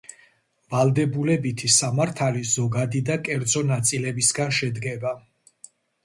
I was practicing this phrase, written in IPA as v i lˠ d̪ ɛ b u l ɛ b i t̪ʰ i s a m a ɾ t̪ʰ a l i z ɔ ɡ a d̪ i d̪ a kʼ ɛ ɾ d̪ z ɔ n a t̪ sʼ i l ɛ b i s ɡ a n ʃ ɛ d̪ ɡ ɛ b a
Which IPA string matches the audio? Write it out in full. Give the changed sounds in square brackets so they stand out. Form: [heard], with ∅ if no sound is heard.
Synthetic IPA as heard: v [a] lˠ d̪ ɛ b u l ɛ b i t̪ʰ i s a m a ɾ t̪ʰ a l i z ɔ ɡ a d̪ i d̪ a kʼ ɛ ɾ d̪ z ɔ n a t̪ sʼ i l ɛ b i s ɡ a n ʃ ɛ d̪ ɡ ɛ b a